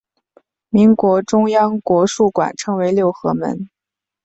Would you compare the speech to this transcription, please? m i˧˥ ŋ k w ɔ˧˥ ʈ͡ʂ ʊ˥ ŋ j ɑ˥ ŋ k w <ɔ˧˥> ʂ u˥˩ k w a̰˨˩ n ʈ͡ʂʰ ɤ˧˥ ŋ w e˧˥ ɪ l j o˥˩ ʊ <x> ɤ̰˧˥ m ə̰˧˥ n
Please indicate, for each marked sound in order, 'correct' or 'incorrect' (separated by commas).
correct, correct